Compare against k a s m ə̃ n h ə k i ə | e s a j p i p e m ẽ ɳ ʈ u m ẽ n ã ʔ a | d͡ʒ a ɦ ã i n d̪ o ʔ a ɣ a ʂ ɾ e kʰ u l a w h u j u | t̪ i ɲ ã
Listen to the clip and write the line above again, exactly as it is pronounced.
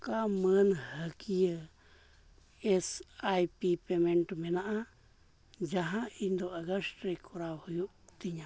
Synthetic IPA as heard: k a m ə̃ n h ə k i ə | e s a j p i p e m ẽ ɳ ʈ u m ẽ n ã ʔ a | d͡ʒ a ɦ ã i n d̪ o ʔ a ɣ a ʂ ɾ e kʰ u ɾ a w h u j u | t̪ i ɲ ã

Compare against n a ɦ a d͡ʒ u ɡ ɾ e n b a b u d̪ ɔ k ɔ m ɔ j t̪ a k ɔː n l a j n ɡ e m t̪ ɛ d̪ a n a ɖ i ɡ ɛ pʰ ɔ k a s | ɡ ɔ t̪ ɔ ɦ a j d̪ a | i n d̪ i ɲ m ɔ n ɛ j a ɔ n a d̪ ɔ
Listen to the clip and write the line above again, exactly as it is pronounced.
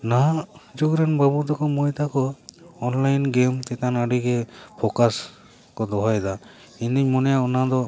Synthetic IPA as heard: n a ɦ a d͡ʒ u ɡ ɾ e n b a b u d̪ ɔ k ɔ m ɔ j t̪ a k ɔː n l a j n ɡ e m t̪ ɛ t̪ a n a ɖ i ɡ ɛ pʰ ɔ k a s | k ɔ d̪ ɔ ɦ a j d̪ a | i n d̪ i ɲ m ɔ n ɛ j a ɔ n a d̪ ɔ

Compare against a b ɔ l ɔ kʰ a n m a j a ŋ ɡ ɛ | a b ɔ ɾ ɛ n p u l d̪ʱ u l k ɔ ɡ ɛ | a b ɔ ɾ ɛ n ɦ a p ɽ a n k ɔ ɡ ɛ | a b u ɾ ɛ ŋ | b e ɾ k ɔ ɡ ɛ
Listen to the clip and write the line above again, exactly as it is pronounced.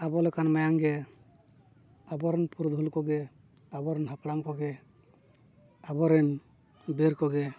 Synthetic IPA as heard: a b ɔ l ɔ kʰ a n m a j a ŋ ɡ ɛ | a b ɔ ɾ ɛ n p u ɾ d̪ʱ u l k ɔ ɡ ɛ | a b ɔ ɾ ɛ n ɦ a p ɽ a ŋ k ɔ ɡ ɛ | a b ɔ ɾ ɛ n | b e ɾ k ɔ ɡ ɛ

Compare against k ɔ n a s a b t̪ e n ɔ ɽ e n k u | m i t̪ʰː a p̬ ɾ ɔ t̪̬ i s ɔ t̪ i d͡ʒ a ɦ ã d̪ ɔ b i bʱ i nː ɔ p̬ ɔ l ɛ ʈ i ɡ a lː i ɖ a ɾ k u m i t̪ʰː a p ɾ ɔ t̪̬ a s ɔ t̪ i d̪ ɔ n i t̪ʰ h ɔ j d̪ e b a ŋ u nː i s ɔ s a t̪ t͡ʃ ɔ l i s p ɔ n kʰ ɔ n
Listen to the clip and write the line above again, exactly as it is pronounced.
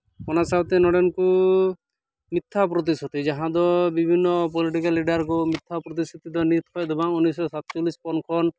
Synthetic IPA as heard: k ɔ n a s a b t̪ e n ɔ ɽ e n k u | m i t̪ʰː a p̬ ɾ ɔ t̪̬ i s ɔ t̪ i d͡ʒ a ɦ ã d̪ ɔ b i bʱ i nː ɔ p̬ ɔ l i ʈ i k a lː i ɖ a ɾ k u m i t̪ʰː a p ɾ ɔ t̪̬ i s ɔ t̪ i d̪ ɔ n i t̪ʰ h ɔ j d̪ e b a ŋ u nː i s ɔ s a t̪ t͡ʃ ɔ l i s p ɔ n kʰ ɔ n

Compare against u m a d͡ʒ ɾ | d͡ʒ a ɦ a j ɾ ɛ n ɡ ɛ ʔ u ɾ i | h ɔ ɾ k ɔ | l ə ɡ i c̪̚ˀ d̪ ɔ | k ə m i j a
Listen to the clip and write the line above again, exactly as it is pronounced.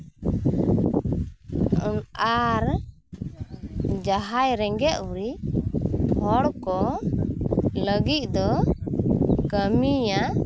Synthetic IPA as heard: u n a ɾ | d͡ʒ a ɦ a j ɾ ɛ ŋ ɡ ɛ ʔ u ɾ i | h ɔ ɽ k ɔ | l ə ɡ i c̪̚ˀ d̪ ɔ | k ə m i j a

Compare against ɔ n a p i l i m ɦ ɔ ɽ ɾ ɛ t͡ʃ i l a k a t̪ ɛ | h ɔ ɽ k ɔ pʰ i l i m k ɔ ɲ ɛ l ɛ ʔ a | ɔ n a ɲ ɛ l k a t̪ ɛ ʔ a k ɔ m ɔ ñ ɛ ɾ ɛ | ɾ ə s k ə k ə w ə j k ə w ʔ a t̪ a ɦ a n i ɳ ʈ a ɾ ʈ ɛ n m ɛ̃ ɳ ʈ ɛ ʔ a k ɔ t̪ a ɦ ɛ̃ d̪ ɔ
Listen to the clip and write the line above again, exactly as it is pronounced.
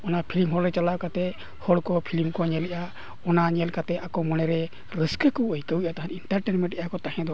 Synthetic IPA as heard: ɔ n a pʰ i l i m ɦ ɔ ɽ ɾ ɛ t͡ʃ a l a k a t̪ ɛ | h ɔ ɽ k ɔ pʰ i l i m k ɔ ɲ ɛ l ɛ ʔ a | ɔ n a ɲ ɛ l k a t̪ ɛ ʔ a k ɔ m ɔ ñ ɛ ɾ ɛ | ɾ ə s k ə k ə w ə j k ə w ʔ a t̪ a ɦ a n i ɳ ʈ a ɾ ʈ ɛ n m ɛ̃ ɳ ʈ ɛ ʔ a k ɔ t̪ a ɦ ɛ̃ d̪ ɔ

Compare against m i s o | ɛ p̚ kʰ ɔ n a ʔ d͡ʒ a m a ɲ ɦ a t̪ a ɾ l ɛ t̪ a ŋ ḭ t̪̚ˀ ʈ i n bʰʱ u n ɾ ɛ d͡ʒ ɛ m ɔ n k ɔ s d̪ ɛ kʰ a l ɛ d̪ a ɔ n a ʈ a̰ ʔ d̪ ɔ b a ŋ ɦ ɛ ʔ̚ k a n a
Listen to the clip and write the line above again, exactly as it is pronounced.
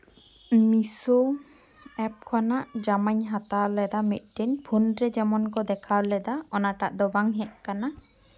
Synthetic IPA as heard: m i s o | ɛ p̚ kʰ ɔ n a ʔ d͡ʒ a m a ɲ ɦ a t̪ a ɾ l ɛ d̪ a m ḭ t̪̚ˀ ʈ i n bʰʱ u n ɾ ɛ d͡ʒ ɛ m ɔ n k ɔ d̪ ɛ kʰ a l ɛ d̪ a ɔ n a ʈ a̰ ʔ d̪ ɔ b a ŋ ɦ ɛ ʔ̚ k a n a

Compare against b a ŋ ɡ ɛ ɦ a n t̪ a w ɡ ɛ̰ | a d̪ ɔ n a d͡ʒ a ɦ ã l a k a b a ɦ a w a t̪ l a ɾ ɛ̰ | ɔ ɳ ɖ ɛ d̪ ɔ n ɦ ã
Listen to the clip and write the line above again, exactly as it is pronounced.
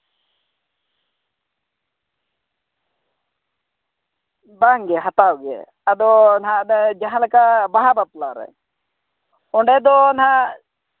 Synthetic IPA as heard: b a ŋ ɡ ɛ ɦ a t̪ a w ɡ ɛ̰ | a d̪ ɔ n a d͡ʒ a ɦ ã l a k a b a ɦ a b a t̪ l a ɾ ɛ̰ | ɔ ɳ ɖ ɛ d̪ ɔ n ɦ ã

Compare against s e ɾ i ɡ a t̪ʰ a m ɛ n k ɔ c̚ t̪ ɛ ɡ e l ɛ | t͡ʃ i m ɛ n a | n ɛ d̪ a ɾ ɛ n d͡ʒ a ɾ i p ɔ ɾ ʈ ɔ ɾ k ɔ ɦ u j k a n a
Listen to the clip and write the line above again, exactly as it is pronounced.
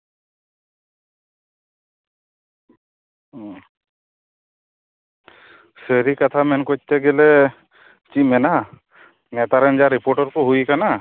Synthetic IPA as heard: s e ɾ i k a t̪ʰ a m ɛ n k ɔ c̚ t̪ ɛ ɡ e l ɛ | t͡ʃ i m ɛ n a | n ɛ t̪ a ɾ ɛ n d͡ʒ a ɾ i p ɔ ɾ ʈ ɔ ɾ k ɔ ɦ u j k a n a

